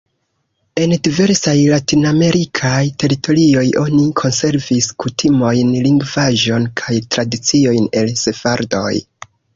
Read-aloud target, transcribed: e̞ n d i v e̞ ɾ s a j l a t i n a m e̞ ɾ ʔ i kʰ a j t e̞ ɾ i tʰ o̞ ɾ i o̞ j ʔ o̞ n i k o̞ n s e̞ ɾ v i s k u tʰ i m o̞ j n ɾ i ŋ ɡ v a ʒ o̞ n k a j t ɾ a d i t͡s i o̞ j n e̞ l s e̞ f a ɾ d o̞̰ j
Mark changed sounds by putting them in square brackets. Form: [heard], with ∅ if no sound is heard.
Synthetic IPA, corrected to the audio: e̞ n d i v e̞ ɾ s a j l a t i n a m e̞ ɾ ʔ i kʰ a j t e̞ ɾ i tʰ o̞ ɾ i o̞ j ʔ o̞ n i [kʰ] o̞ n s e̞ ɾ v i s k u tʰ i m o̞ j n [l] i ŋ ɡ v a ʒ o̞ n [kʰ] a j t ɾ a d i t͡s i o̞ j n e̞ l s e̞ f a ɾ d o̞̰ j